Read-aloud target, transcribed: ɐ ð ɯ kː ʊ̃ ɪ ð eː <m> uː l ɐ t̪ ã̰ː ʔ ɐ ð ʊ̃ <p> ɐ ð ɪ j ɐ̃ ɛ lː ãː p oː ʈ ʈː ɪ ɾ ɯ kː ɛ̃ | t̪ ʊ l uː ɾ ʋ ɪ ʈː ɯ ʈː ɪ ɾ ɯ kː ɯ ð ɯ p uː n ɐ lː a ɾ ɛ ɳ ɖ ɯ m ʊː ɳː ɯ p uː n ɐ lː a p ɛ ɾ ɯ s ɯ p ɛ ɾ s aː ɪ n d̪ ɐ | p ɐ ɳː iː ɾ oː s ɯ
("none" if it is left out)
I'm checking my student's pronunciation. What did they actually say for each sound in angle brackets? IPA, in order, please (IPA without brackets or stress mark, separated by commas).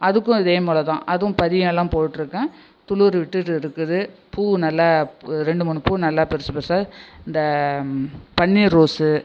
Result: m, p